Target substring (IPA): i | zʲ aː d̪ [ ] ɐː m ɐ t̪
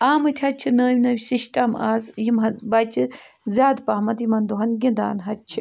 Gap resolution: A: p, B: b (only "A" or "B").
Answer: A